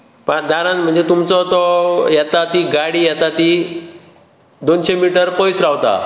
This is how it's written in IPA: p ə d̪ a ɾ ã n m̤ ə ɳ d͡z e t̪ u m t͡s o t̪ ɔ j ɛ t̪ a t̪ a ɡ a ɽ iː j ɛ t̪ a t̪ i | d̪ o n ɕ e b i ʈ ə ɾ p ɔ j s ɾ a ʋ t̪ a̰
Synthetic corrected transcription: p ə d̪ a ɾ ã n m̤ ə ɳ d͡z e t̪ u m t͡s ɔ t̪ ɔ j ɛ t̪ a t̪ i ɡ a ɽ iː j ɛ t̪ a t̪ i | d̪ o n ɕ e m i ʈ ə ɾ p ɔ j s ɾ a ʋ t̪ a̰